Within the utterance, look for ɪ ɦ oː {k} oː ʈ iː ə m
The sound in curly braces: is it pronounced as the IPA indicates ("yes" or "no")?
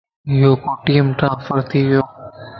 yes